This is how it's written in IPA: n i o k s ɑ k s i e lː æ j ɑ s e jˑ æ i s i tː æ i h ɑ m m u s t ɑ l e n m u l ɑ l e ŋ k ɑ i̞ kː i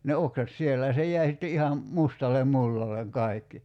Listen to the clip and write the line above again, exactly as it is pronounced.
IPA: n e o k s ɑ t s i e lː æ j ɑ s e jˑ æ i s i tː e i h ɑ m m u s t ɑ l e m m u lː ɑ l e ŋ k ɑ i̞ kː i